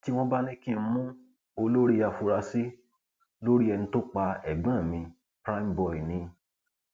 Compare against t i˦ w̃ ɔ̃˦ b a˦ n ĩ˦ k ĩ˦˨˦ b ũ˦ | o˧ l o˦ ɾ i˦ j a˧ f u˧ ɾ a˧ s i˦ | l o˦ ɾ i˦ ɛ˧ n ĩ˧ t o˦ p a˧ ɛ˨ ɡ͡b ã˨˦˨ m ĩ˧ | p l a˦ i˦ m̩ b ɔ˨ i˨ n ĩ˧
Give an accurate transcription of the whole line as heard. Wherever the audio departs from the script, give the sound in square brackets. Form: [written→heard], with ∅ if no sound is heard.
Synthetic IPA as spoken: t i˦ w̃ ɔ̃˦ b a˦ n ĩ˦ k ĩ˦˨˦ [b→m] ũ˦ | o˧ l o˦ ɾ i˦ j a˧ f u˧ ɾ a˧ s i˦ | l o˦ ɾ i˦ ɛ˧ n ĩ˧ t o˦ [p→k͡p] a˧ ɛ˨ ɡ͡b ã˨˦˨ m ĩ˧ | p [l→ɾ] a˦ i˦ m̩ b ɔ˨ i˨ n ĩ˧